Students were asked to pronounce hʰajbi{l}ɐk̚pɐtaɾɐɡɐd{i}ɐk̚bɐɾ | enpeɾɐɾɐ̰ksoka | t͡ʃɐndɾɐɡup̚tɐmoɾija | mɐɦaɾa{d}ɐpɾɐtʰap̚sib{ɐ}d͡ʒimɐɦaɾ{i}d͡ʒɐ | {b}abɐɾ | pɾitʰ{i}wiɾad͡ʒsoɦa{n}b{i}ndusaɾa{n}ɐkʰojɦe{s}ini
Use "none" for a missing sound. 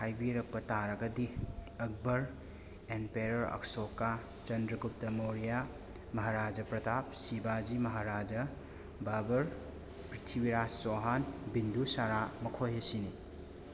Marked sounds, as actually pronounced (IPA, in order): ɾ, i, d͡ʒ, a, a, b, i, n, i, m, s

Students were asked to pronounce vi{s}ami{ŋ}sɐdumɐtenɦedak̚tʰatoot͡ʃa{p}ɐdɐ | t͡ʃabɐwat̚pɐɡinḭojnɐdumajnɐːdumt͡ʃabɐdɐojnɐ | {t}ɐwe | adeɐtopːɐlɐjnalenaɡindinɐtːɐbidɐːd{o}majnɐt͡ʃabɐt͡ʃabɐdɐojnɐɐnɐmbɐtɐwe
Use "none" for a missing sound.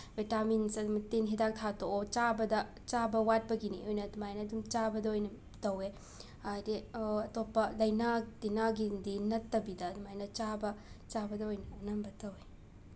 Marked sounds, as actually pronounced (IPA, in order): t, n, b, t, u

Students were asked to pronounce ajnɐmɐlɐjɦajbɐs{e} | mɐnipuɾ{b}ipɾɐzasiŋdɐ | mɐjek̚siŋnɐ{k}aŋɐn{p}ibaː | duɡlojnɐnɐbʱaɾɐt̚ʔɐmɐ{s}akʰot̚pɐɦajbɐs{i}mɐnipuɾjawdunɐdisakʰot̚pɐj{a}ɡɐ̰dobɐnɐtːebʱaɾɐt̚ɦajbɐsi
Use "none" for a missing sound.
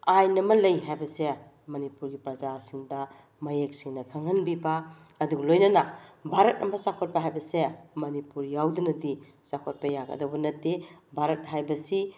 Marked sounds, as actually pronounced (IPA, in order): e, ɡ, kʰ, b, s, e, a

